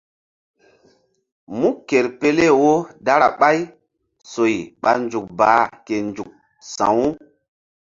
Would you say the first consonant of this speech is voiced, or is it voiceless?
voiced